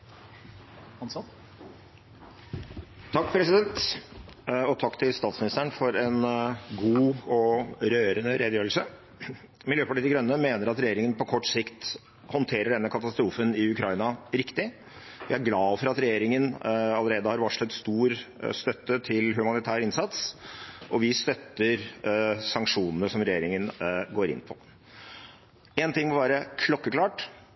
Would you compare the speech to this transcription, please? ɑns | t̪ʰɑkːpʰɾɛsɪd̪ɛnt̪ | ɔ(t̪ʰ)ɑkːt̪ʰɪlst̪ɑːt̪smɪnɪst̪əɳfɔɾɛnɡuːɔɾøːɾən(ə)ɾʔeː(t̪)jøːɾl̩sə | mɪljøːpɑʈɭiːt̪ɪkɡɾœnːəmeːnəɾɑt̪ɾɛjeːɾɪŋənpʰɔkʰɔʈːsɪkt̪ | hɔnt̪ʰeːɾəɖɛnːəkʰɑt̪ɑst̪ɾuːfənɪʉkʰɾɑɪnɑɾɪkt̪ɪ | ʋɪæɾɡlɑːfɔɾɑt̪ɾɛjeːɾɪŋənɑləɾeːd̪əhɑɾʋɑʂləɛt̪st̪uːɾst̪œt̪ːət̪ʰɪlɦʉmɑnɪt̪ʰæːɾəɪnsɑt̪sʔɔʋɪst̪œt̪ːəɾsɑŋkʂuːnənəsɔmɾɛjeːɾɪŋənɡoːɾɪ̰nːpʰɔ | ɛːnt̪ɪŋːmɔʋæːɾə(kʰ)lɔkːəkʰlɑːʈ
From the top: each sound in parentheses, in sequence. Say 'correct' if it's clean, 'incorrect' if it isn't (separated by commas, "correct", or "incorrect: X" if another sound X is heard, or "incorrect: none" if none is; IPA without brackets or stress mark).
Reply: correct, correct, incorrect: d̪, correct